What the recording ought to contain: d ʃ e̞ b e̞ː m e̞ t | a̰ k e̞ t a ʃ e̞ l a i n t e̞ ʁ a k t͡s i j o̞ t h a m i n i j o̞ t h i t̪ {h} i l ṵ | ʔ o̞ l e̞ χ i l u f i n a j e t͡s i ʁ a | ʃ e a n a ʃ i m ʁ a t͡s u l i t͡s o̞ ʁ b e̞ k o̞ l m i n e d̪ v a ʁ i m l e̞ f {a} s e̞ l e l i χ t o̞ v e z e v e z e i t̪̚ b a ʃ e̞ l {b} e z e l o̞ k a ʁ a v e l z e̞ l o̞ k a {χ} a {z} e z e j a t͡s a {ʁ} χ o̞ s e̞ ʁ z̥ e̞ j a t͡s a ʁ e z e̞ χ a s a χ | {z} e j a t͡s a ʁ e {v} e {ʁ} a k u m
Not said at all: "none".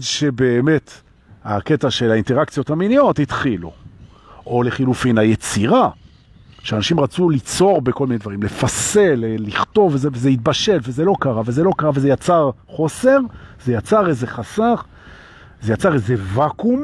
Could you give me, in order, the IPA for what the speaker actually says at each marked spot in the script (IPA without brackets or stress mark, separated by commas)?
χ, a, v, ʁ, v, ʁ, z, z, v